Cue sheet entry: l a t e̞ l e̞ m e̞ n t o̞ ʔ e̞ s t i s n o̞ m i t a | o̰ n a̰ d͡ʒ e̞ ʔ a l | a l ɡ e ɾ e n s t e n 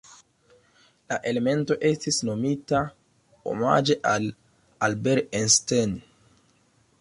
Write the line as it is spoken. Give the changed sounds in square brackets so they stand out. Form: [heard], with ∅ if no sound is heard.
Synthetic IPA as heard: l a [ʔ] e̞ l e̞ m e̞ n t o̞ ʔ e̞ s t i s n o̞ m i t a | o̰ [m] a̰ d͡ʒ e̞ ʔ a l | a l [b] e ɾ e n s t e n